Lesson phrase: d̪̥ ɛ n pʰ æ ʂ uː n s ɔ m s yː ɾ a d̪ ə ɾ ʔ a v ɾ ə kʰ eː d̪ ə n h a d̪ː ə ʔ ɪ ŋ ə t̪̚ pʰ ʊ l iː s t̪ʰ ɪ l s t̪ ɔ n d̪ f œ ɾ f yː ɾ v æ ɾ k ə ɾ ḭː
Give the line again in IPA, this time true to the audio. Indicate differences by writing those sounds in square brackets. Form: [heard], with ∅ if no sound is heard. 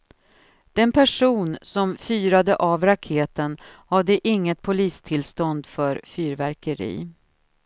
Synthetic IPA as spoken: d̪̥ ɛ n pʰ æ ʂ uː n s ɔ m [f] yː ɾ a d̪ ə [∅] ʔ a v ɾ [a] kʰ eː [t̪] ə n h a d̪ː ə ʔ ɪ [ŋː] ə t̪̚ pʰ ʊ l iː s t̪ʰ ɪ l s t̪ ɔ n d̪ f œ ɾ f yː ɾ v æ ɾ k ə ɾ ḭː

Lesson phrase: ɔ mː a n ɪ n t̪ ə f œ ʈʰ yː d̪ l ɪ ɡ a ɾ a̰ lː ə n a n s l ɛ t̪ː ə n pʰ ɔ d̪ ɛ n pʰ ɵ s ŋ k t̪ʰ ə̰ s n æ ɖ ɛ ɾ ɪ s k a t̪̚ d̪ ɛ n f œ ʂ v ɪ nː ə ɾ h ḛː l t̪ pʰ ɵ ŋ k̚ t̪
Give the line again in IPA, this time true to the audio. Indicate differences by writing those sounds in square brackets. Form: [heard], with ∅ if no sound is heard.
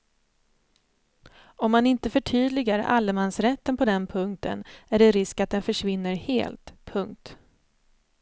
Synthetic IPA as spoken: ɔ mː a n ɪ n t̪ ə f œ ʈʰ yː d̪ l ɪ ɡ a ɾ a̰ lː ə [m] a n s [ɾ] ɛ t̪ː ə n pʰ ɔ d̪ ɛ n pʰ ɵ [∅] ŋ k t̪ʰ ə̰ [∅] n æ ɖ ɛ ɾ ɪ s k a t̪̚ d̪ ɛ n f œ ʂ v ɪ nː ə ɾ h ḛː l t̪ pʰ ɵ ŋ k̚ t̪

